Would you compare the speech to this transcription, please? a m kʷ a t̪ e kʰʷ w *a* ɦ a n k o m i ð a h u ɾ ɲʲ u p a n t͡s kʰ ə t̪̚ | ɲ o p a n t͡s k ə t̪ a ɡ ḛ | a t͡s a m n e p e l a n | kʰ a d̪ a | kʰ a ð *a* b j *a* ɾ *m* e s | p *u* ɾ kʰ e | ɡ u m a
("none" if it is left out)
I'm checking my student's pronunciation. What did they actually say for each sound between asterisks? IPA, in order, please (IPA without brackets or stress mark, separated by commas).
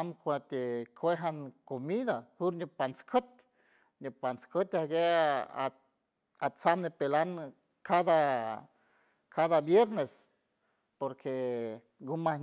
e, a, e, n, o